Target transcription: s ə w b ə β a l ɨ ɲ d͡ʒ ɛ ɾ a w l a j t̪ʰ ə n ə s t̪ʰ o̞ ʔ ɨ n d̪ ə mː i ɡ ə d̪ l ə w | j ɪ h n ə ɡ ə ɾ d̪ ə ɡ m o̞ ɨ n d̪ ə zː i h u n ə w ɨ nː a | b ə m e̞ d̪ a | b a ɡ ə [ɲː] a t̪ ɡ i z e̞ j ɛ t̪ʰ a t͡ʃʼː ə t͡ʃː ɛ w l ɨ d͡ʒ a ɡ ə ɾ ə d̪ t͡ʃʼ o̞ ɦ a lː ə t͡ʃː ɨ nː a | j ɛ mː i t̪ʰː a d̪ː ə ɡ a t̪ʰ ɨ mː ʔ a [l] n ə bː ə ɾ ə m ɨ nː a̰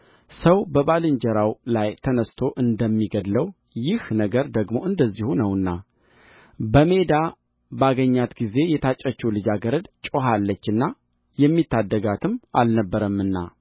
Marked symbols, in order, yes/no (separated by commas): yes, yes